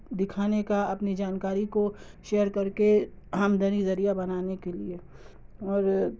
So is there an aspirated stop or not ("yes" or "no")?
yes